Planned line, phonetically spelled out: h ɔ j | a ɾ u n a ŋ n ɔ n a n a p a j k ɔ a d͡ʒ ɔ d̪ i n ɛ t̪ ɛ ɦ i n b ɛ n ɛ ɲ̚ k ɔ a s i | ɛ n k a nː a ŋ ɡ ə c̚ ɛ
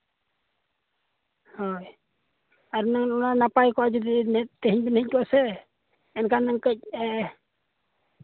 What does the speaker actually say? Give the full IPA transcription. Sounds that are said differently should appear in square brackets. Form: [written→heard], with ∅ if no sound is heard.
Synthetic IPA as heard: h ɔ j | a ɾ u n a ŋ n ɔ n a n a p a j k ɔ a d͡ʒ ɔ d̪ i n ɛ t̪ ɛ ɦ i [n→ɲ] b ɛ n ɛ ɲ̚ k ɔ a s [i→ɛ] | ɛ n k a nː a ŋ [ɡ→k] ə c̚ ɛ